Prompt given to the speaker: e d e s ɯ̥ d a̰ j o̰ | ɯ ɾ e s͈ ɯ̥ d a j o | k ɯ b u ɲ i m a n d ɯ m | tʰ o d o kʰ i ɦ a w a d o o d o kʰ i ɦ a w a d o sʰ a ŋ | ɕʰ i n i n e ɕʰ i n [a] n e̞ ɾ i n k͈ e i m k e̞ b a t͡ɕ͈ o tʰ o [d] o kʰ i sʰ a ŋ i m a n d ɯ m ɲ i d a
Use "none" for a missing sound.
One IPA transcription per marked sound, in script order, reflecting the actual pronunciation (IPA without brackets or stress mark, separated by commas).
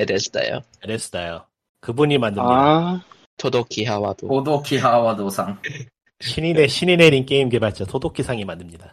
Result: i, d